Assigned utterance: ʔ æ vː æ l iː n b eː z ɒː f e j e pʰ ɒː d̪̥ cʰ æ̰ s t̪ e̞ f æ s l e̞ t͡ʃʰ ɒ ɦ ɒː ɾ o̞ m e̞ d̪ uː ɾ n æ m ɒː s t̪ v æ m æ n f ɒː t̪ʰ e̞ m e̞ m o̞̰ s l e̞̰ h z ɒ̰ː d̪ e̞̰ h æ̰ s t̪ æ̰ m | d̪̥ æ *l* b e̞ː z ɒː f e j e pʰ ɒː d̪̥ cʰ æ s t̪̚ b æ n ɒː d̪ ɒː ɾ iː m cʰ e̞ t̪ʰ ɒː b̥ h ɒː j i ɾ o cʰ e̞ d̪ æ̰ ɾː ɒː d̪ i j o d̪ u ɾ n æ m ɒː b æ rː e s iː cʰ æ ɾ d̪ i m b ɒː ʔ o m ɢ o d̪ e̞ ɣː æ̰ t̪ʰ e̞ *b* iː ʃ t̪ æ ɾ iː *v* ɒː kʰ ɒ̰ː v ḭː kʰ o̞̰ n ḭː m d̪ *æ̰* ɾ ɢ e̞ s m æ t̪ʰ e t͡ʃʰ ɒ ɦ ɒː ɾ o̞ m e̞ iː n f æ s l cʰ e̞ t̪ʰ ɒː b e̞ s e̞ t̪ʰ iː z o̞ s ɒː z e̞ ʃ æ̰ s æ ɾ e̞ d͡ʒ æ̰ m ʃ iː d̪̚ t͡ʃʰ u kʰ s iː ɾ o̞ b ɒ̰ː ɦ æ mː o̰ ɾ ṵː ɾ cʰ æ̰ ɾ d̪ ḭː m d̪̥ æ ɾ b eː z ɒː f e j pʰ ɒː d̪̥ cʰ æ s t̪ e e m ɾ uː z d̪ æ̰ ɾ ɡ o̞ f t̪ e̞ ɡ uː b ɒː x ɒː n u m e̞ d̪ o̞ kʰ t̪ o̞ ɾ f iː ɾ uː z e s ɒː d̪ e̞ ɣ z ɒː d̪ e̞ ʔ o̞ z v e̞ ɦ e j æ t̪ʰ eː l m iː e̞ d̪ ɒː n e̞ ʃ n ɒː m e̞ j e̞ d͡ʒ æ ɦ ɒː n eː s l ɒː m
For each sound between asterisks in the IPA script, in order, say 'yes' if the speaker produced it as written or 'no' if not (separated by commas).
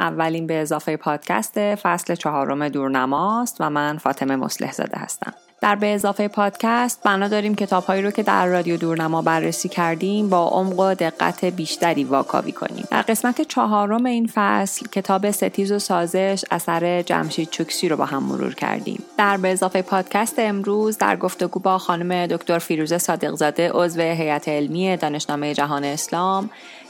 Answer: no, yes, yes, yes